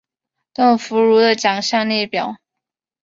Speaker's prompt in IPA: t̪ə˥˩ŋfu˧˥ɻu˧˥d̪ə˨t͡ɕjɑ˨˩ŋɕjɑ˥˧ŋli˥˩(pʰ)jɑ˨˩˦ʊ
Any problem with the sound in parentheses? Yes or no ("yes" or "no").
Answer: yes